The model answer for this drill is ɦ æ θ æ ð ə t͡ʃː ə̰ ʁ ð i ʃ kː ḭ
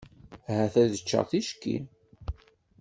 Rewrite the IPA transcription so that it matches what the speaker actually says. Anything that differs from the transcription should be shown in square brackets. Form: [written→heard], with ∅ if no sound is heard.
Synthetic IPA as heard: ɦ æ θ æ ð ə t͡ʃː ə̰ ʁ [ð→θ] i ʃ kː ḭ